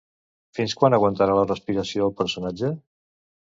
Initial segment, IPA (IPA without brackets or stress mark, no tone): f